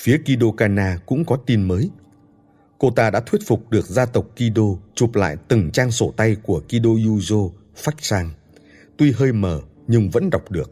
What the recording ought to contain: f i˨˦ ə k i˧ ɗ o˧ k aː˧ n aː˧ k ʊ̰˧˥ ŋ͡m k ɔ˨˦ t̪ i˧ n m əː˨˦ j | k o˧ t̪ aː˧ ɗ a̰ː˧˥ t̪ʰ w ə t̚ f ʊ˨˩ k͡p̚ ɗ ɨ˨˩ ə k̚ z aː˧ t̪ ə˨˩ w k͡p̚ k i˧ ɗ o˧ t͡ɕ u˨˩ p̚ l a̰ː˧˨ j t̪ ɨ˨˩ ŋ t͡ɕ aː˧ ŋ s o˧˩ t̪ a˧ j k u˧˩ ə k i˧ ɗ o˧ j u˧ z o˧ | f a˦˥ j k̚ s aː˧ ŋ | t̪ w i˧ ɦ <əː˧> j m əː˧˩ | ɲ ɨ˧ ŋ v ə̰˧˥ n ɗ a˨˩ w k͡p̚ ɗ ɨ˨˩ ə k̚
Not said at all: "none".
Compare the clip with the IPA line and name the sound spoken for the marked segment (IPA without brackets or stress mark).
əː˧